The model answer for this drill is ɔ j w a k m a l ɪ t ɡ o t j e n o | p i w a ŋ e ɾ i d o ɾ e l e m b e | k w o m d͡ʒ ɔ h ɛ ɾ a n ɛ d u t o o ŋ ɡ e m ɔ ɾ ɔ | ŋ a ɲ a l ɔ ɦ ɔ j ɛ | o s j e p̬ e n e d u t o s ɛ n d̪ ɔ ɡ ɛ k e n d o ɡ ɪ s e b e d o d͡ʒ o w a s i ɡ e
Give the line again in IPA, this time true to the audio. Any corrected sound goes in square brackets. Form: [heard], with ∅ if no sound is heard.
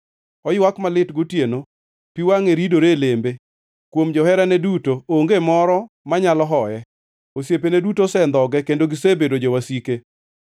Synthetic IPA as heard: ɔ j w a k m a l ɪ t ɡ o t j e n o | p i w a ŋ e ɾ i d o ɾ e l e m b e | k w o m d͡ʒ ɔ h ɛ ɾ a n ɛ d u t o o ŋ ɡ e m ɔ ɾ ɔ | [m] a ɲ a l ɔ ɦ ɔ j ɛ | o s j e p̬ e n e d u t o s ɛ n d̪ ɔ ɡ ɛ k e n d o ɡ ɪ s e b e d o d͡ʒ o w a s i [k] e

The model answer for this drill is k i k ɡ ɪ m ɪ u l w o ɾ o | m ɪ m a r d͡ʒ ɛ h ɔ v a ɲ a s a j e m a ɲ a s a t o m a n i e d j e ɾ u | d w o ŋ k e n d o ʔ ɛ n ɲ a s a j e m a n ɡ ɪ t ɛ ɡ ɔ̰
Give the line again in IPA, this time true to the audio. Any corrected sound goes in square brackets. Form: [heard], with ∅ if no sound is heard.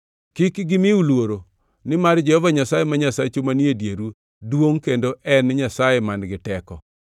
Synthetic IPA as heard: k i k ɡ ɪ m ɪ u l w o ɾ o | [n] ɪ m a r d͡ʒ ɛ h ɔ v a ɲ a s a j e m a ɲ a s a [t͡ʃ] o m a n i e d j e ɾ u | d w o ŋ k e n d o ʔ ɛ n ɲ a s a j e m a n ɡ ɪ t ɛ [k] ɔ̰

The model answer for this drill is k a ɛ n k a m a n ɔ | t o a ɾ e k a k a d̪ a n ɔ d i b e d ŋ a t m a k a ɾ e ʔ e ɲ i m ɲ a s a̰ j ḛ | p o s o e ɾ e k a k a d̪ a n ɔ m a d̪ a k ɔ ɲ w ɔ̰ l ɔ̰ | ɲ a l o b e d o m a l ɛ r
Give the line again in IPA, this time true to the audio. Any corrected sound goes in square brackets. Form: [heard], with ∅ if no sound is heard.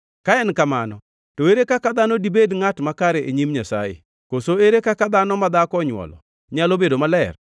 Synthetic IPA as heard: k a ɛ n k a m a n ɔ | t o [e] ɾ e k a k a d̪ a n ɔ d i b e d ŋ a t m a k a ɾ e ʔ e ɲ i m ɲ a s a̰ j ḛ | [k] o s o e ɾ e k a k a d̪ a n ɔ m a d̪ a k ɔ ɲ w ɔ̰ l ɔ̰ | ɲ a l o b e d o m a l ɛ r

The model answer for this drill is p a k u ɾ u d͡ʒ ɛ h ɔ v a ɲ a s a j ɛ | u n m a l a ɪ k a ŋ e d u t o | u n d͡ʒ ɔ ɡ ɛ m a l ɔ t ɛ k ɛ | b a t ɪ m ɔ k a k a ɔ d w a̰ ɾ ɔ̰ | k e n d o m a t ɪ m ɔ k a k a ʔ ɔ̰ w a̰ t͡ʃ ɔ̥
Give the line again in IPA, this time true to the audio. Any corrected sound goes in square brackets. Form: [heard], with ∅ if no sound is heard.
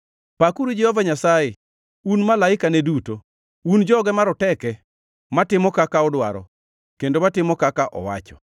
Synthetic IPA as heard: p a k u ɾ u d͡ʒ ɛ h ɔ v a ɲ a s a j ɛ | u n m a l a ɪ k a [n] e d u t o | u n d͡ʒ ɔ ɡ ɛ m a [ɾ] ɔ t ɛ k ɛ | [m] a t ɪ m ɔ k a k a ɔ d w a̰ ɾ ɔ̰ | k e n d o m a t ɪ m ɔ k a k a ʔ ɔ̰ w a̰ t͡ʃ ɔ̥

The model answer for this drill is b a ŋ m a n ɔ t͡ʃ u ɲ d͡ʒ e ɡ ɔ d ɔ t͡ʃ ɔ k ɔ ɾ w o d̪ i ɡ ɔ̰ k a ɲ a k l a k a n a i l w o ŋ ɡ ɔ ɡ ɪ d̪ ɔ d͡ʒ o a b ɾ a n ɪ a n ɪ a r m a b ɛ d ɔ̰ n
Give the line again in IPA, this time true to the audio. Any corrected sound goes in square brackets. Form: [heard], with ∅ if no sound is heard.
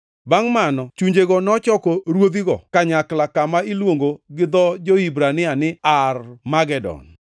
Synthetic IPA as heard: b a ŋ m a n ɔ t͡ʃ u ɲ d͡ʒ e ɡ ɔ [n] ɔ t͡ʃ ɔ k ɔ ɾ w o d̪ i ɡ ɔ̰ k a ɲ a k l a k a [m] a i l w o ŋ ɡ [o] ɡ ɪ d̪ ɔ d͡ʒ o [i] b ɾ a n ɪ a n ɪ a r m a [ɡ] ɛ d ɔ̰ n

